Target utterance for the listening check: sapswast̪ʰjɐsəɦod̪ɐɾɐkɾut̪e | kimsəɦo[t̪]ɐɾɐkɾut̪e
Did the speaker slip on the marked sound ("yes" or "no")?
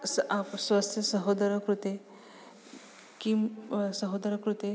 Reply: yes